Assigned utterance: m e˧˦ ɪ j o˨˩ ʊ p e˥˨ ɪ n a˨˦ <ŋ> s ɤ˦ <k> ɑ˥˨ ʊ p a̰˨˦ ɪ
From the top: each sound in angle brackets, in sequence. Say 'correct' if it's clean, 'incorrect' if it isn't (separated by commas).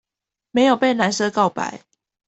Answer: incorrect, correct